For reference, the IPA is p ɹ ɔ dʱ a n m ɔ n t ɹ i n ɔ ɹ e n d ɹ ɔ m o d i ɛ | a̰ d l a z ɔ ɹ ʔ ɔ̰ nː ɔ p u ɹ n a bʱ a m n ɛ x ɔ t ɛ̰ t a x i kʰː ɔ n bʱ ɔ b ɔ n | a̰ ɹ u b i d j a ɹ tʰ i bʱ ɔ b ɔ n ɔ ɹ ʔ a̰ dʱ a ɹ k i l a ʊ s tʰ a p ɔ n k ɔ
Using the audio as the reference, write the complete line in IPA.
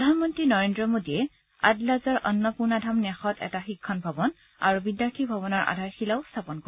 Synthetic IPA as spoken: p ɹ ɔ dʱ a n m ɔ n t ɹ i n ɔ ɹ e n d ɹ ɔ m o d i ɛ | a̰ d l a z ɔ ɹ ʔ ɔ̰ nː ɔ p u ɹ n a dʱ a m n ɛ x ɔ t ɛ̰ t a x i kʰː ɔ n bʱ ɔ b ɔ n | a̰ ɹ u b i d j a ɹ tʰ i bʱ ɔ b ɔ n ɔ ɹ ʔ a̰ dʱ a ɹ x i l a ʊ s tʰ a p ɔ n k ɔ